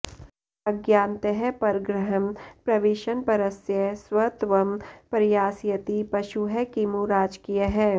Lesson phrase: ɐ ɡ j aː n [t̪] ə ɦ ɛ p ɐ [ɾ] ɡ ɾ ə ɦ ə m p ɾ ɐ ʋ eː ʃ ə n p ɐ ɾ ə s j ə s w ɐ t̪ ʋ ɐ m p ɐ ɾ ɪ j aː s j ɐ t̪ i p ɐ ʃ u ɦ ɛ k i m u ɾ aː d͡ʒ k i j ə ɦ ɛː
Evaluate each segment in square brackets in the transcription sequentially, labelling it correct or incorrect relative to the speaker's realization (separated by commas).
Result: correct, correct